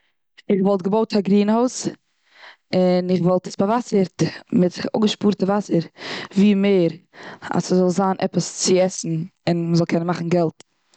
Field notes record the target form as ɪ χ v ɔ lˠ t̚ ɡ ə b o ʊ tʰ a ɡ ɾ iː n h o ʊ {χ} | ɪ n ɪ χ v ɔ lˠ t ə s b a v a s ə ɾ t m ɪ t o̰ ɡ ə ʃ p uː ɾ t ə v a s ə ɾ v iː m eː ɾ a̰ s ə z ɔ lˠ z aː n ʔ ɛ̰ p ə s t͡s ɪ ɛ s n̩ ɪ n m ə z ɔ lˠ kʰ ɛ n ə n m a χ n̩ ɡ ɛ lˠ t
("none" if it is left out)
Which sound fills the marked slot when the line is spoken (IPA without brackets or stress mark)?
s